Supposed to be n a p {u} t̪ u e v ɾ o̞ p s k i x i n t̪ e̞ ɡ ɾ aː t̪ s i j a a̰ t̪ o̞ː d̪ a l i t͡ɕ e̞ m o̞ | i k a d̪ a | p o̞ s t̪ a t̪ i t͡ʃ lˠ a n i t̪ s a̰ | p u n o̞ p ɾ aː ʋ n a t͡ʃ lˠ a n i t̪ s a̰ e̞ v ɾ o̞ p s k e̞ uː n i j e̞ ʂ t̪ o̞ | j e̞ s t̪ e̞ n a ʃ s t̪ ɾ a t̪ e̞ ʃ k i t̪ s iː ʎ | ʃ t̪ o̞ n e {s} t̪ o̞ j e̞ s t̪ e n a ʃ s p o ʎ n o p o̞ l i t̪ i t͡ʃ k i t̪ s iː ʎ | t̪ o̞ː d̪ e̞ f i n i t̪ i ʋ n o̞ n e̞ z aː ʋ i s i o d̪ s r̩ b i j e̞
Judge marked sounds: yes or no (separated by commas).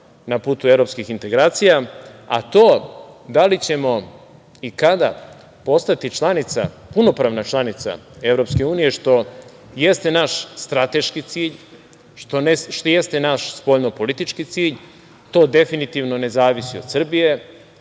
no, no